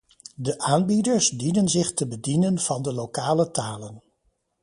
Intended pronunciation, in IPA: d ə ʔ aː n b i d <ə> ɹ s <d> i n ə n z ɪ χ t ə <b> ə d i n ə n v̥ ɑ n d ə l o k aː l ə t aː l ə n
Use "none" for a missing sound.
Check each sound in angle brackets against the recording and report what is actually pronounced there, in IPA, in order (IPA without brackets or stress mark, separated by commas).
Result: ə, d, b